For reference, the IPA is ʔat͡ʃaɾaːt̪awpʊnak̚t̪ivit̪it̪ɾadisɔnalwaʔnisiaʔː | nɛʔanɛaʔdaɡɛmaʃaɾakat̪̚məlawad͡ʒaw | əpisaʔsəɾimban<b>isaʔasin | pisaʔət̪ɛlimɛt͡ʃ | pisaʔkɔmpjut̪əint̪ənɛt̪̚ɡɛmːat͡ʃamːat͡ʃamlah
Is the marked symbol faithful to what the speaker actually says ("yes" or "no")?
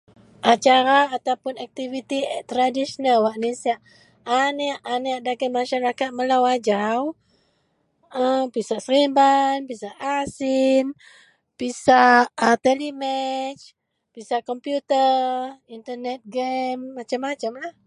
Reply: no